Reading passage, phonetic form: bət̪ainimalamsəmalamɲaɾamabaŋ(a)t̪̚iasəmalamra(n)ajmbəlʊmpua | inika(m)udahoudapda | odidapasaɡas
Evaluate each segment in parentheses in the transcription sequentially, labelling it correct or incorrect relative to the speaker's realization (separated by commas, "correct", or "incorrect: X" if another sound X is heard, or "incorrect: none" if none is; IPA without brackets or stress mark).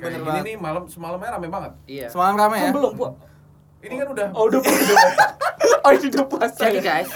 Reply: incorrect: ə, incorrect: m, incorrect: n